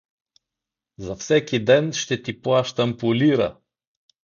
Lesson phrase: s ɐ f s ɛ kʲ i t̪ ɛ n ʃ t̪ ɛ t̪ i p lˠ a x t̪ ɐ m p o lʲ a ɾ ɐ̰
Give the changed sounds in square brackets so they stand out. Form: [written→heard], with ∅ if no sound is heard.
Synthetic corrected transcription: [s→z] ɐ f s ɛ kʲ i [t̪→d̪] ɛ n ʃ t̪ ɛ t̪ i p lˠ a [x→ʃ] t̪ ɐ m p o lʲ [a→i] ɾ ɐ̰